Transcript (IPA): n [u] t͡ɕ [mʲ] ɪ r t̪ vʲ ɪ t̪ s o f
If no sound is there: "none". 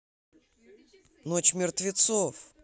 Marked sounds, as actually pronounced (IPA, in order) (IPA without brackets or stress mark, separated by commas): o, mʲ